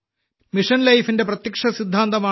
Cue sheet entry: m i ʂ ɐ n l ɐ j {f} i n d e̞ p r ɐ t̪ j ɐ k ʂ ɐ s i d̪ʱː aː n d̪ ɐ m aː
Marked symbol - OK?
yes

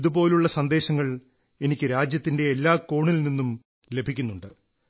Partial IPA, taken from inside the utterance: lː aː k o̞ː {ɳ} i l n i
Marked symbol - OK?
yes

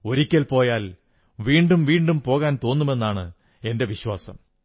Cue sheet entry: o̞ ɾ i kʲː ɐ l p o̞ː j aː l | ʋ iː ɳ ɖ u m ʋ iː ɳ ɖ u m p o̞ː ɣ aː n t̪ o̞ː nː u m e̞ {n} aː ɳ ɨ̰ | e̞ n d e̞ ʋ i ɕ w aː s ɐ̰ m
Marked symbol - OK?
no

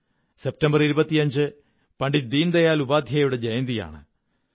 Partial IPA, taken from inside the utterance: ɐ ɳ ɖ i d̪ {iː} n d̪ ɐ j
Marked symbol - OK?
yes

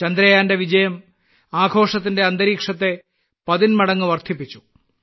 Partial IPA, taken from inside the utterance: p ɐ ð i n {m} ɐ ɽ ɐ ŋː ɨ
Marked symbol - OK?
yes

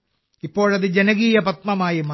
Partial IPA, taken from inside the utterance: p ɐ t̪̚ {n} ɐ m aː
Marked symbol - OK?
no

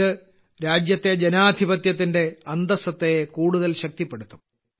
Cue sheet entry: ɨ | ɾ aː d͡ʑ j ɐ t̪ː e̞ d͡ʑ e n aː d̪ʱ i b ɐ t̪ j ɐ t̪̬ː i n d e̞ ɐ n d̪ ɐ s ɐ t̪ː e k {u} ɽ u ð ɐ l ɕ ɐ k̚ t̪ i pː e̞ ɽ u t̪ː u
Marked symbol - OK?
no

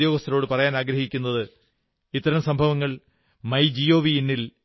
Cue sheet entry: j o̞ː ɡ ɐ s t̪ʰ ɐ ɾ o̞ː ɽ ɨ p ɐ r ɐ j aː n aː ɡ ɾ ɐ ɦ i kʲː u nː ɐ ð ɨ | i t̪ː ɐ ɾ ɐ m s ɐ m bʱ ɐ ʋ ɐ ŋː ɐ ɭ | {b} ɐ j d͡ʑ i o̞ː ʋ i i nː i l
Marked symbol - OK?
no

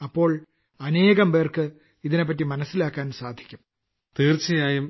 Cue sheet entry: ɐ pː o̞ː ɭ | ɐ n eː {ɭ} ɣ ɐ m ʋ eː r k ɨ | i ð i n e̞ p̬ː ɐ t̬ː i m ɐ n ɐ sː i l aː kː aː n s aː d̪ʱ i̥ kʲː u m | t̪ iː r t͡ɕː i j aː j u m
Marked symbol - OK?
no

